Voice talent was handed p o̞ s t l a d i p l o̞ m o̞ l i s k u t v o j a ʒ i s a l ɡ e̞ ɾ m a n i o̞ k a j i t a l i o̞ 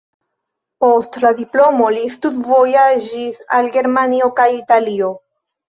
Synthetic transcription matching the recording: p o̞ s t l a d i p l o̞ m o̞ l i s t u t v o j a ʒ i s a l ɡ e̞ ɾ m a n i o̞ k a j i t a l i o̞